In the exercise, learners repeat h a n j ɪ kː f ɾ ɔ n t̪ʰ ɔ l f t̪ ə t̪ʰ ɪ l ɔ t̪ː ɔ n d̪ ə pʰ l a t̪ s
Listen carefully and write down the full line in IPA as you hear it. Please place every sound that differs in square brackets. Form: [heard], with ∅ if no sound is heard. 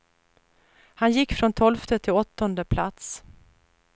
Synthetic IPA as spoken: h a n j ɪ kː f ɾ ɔ n t̪ʰ ɔ l f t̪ ə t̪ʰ ɪ l ɔ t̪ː ɔ n d̪ ə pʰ l a t̪ s